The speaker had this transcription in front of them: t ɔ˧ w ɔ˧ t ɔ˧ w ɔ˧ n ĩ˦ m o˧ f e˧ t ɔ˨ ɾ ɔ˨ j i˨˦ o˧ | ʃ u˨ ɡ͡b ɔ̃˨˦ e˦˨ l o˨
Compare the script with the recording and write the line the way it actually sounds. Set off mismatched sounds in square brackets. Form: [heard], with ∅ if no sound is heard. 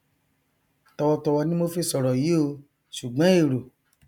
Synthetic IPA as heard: t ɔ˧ w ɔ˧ t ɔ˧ w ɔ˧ n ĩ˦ m o˧ f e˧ [s] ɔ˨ ɾ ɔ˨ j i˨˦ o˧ | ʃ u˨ ɡ͡b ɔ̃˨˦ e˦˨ [ɾ] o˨